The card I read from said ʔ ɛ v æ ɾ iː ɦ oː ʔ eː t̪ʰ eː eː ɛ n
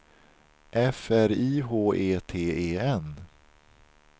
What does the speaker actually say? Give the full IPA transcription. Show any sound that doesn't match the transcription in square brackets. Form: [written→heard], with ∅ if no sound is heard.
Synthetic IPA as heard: ʔ ɛ [v→f] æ ɾ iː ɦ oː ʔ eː t̪ʰ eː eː ɛ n